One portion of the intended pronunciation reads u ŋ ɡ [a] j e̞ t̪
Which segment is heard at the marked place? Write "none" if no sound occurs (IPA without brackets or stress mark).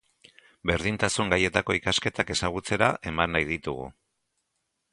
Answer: a